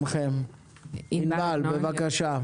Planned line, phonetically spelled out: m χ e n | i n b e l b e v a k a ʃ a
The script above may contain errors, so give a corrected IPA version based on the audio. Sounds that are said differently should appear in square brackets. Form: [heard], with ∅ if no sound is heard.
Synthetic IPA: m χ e [m] | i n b [a] l b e v a k a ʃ a

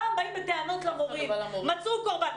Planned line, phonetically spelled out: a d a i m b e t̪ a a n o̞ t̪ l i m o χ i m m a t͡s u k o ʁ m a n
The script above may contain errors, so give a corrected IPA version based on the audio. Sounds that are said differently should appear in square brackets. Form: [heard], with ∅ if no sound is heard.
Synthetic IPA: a [b] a i m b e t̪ [e] a n o̞ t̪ l [a] m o [ʁ] i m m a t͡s u k o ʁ [b] a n

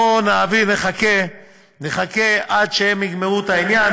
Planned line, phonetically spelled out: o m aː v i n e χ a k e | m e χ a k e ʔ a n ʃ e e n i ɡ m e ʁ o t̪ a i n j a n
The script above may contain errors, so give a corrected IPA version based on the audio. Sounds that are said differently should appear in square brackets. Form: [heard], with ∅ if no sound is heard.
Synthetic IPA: o [n] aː v i n e χ a k e | [n] e χ a k e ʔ a [d] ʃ e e [m] i ɡ m e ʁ [u] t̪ a i n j a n

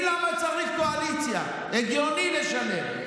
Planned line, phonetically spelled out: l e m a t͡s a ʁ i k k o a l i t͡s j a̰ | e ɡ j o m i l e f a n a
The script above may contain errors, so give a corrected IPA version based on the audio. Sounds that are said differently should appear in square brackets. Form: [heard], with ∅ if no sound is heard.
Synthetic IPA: l [a] m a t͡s a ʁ i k k o a l i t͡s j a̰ | e ɡ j o [n] i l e [ʃ] a n [e]

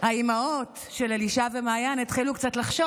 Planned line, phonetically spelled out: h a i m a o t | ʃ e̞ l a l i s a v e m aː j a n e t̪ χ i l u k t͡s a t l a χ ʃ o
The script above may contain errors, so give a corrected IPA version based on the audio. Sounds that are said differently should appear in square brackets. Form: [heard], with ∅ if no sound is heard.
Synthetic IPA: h a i m a o t | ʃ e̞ l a l i [ʃ] a v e m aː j a n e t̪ χ i l u k t͡s a t l a χ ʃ o

